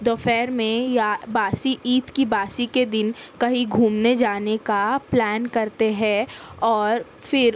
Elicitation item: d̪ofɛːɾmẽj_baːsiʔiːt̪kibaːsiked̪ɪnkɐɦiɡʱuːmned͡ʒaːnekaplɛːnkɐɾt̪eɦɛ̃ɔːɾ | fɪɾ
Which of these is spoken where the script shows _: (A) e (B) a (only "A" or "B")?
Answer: B